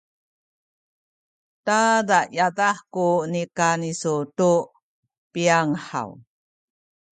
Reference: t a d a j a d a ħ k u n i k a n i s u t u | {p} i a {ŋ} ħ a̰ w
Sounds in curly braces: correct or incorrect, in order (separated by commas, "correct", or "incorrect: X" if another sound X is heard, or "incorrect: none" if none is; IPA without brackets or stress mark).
correct, correct